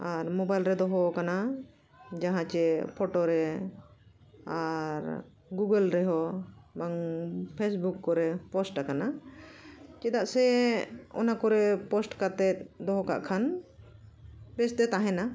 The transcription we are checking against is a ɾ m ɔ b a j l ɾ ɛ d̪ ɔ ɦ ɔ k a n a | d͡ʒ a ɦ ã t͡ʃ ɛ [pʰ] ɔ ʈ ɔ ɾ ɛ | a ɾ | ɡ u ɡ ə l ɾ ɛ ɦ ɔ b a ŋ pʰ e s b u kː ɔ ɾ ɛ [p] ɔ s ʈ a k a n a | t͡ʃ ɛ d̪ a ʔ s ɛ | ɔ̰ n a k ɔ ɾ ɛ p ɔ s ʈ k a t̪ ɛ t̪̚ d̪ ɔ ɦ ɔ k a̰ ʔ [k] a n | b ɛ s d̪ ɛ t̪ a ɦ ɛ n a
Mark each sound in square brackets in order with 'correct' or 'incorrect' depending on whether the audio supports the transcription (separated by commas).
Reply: correct, correct, incorrect